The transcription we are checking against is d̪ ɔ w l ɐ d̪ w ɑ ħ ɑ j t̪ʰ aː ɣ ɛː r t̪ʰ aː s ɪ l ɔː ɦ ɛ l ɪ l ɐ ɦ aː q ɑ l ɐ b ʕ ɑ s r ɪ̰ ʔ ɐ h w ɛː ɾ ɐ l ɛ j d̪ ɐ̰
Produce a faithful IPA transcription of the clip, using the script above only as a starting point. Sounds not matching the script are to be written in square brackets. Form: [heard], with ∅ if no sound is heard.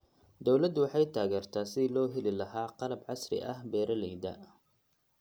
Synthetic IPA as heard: d̪ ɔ w l ɐ d̪ w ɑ ħ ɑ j t̪ʰ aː ɣ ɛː r t̪ʰ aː s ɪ l ɔː ɦ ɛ l ɪ l ɐ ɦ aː q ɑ l ɐ b ʕ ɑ s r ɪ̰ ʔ ɐ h [b] ɛː ɾ ɐ l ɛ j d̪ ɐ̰